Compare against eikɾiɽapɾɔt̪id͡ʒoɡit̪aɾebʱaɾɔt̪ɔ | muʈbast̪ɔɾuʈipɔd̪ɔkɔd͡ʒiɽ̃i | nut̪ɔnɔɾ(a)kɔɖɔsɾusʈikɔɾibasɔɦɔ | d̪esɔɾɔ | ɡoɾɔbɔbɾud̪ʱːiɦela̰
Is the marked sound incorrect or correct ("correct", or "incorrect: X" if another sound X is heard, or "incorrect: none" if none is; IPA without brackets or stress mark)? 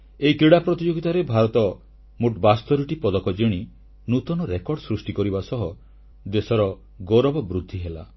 incorrect: e